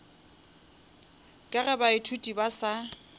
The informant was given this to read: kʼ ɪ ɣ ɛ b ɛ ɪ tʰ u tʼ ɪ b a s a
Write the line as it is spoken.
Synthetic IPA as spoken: kʼ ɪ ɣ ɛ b a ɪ tʰ u tʼ i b a s a